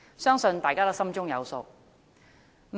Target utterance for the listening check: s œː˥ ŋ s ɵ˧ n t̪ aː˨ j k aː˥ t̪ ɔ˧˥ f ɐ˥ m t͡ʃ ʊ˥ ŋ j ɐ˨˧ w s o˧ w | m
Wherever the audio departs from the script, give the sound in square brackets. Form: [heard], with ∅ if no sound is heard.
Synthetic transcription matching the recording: s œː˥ ŋ s ɵ˧ n t̪ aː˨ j k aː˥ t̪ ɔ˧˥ [s] ɐ˥ m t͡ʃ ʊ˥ ŋ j ɐ˨˧ w s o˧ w | m